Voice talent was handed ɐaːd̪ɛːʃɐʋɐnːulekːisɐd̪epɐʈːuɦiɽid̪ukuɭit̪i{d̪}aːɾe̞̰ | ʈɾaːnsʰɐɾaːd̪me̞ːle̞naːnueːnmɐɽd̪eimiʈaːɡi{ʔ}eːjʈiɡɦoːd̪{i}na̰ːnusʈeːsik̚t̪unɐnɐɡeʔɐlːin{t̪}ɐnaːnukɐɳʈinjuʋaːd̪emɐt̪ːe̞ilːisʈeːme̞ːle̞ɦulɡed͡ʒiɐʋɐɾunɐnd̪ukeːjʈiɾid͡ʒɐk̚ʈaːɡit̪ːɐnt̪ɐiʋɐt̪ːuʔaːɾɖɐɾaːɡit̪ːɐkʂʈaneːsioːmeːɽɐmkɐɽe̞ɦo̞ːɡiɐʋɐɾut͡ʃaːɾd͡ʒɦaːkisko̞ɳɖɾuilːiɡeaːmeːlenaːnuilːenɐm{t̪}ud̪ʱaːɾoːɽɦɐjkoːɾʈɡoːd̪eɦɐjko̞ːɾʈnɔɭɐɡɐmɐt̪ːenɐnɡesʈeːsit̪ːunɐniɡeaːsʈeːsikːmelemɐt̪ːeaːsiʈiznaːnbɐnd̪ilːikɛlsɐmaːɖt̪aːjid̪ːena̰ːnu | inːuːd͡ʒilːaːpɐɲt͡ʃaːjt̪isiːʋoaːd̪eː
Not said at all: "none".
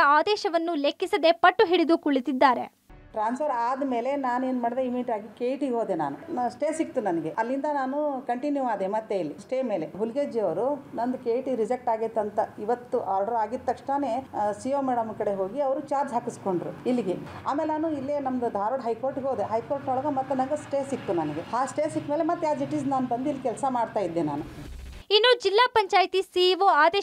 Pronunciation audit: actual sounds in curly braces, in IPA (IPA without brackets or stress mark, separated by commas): d̪ː, k, e, d̪, d̪